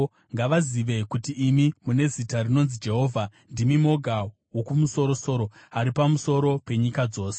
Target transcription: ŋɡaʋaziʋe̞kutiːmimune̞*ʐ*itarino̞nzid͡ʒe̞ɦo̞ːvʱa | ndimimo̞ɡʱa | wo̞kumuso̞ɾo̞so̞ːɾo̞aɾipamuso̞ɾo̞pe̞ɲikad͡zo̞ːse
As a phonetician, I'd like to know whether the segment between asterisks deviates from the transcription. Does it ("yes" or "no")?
yes